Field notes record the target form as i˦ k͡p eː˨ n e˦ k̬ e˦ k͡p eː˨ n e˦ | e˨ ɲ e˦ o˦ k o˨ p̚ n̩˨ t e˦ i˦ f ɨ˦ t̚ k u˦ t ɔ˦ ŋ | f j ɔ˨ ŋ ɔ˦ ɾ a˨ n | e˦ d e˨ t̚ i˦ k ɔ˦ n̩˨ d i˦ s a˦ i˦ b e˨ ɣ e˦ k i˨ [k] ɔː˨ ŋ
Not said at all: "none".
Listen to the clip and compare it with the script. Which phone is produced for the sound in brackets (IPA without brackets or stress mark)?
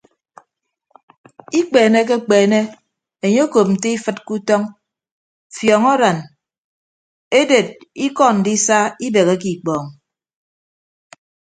k͡p